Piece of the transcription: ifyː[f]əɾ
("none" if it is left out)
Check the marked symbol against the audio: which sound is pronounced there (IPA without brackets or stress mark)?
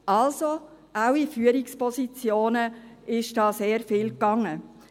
none